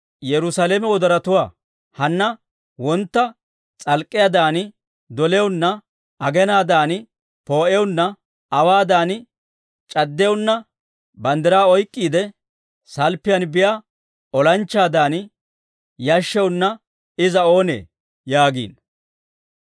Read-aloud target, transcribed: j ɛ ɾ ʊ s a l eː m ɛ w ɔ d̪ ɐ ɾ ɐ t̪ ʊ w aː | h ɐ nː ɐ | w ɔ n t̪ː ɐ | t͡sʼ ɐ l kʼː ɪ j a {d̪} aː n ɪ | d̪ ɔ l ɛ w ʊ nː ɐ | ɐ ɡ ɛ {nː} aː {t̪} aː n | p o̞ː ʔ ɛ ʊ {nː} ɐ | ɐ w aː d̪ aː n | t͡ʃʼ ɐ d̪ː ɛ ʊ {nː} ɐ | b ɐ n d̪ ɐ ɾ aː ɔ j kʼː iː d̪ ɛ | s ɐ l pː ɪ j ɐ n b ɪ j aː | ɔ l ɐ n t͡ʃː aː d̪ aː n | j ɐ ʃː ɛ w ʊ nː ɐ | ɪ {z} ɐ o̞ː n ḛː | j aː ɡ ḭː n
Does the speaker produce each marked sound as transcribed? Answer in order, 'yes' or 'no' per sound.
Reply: yes, no, no, yes, yes, yes

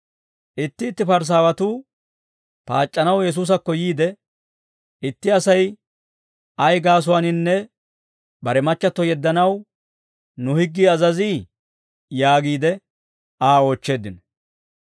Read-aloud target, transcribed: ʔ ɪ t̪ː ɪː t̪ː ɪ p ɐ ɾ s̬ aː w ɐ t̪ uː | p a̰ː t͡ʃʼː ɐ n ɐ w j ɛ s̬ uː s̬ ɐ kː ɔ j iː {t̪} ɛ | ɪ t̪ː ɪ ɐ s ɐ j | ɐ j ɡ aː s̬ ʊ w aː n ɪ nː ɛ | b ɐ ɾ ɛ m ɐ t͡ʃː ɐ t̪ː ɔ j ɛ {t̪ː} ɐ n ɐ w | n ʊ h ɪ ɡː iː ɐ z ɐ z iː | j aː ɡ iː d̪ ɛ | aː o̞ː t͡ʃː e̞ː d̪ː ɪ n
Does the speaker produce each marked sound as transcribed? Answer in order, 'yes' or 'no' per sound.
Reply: no, no

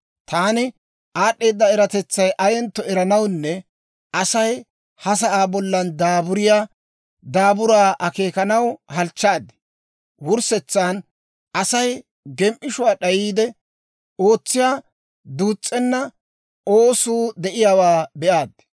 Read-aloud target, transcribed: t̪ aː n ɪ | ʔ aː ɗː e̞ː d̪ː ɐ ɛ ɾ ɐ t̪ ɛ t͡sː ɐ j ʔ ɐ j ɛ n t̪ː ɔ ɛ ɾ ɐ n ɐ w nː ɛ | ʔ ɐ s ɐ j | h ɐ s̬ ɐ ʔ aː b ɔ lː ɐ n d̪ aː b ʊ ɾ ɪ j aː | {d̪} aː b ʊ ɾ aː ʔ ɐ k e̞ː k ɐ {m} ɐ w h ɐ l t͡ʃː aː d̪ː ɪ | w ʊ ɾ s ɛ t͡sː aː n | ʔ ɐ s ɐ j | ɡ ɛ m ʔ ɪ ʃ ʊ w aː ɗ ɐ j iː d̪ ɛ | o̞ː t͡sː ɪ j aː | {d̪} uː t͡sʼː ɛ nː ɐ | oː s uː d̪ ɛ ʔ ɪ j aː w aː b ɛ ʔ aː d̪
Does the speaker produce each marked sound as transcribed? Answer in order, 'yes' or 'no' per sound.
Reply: yes, no, yes

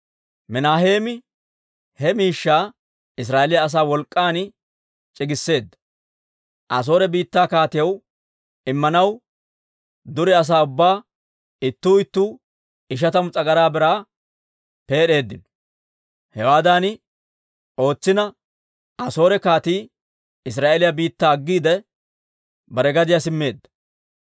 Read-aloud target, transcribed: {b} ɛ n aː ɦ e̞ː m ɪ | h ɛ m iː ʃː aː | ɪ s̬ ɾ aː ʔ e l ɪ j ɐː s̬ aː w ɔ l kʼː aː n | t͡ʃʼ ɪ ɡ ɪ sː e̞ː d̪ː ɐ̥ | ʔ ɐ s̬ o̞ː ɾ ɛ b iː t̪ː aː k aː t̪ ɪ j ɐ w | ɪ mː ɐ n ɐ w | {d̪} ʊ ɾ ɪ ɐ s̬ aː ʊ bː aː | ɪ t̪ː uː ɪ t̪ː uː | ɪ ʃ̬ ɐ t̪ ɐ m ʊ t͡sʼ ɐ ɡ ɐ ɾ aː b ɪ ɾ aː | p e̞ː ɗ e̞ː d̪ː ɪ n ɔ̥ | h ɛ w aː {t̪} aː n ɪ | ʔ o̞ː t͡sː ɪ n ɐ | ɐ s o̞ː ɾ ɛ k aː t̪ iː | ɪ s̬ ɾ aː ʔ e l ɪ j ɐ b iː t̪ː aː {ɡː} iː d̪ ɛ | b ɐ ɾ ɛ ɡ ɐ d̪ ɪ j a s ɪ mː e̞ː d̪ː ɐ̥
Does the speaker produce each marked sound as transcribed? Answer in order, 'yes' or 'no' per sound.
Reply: no, yes, no, yes

